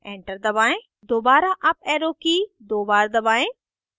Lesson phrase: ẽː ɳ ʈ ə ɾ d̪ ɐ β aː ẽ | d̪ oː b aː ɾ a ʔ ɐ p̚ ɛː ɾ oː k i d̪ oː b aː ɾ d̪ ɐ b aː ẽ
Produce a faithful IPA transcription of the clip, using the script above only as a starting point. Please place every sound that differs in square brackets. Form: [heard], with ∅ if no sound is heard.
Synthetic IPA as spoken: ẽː ɳ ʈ ə ɾ d̪ ɐ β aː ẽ | d̪ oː b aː ɾ a ʔ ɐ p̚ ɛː ɾ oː k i d̪ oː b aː ɾ d̪ ɐ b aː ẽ